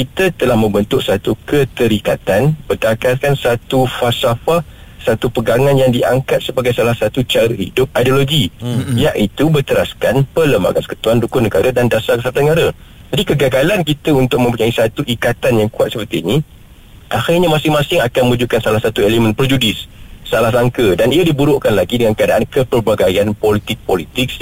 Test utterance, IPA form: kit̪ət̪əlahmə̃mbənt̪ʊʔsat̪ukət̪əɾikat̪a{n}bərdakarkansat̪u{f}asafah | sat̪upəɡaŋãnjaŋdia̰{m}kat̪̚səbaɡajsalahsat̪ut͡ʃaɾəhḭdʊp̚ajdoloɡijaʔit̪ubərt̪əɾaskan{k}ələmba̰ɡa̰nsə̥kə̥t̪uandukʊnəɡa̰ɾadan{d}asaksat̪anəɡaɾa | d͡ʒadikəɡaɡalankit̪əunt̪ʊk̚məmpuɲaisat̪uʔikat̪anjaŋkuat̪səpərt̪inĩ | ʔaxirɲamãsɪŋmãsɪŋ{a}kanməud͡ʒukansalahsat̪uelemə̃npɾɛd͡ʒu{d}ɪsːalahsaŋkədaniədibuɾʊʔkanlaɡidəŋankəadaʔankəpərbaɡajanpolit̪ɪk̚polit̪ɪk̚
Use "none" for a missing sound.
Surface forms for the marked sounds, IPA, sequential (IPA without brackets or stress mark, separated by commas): n, f, ŋ, p, d, a, d